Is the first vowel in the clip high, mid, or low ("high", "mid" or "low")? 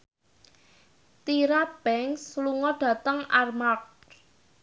high